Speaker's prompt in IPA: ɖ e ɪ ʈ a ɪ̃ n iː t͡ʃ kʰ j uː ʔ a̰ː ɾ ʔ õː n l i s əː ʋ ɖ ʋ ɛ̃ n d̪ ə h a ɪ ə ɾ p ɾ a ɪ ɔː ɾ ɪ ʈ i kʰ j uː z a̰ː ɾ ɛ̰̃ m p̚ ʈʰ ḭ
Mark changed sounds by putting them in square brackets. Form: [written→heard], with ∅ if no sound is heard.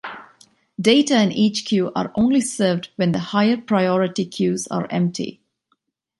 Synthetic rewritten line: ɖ e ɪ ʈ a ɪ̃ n iː t͡ʃ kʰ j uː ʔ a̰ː ɾ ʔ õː n l i s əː ʋ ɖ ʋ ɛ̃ n d̪ ə h a ɪ ə ɾ p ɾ a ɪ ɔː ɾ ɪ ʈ i kʰ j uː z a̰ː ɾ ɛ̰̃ m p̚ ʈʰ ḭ